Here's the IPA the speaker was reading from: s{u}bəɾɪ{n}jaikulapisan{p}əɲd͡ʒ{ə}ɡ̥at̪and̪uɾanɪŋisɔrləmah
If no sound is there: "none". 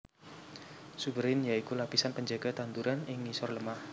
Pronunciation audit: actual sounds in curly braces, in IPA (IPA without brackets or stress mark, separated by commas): u, n, p, a